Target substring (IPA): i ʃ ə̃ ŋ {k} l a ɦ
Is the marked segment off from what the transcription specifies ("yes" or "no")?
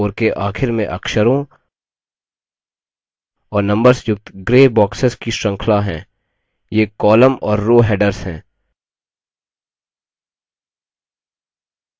yes